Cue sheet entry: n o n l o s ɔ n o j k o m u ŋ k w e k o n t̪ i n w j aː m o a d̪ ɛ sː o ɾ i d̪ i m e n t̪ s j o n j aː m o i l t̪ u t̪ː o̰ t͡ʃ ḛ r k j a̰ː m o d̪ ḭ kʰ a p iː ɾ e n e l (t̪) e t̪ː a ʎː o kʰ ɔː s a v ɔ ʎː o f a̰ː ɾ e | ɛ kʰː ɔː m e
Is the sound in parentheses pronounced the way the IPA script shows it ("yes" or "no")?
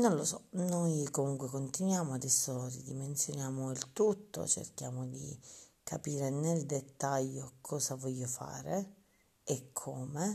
no